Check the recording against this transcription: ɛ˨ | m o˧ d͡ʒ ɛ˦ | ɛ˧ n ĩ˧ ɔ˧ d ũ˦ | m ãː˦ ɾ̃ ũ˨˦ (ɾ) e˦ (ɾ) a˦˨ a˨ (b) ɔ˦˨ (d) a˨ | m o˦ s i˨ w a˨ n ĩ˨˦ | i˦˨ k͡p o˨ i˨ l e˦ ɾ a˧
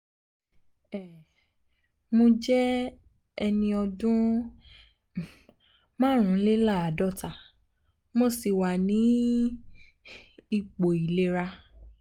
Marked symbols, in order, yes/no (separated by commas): no, no, no, no